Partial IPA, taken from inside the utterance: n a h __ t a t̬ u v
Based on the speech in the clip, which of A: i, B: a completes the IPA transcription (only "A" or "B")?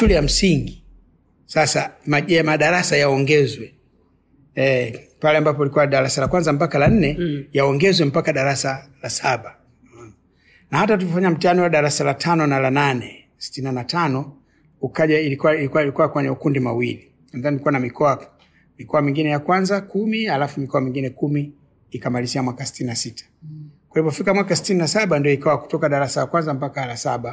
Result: B